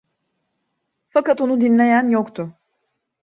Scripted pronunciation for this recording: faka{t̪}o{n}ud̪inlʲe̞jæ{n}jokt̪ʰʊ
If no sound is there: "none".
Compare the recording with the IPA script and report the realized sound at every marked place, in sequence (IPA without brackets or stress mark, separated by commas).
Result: t̪, n, n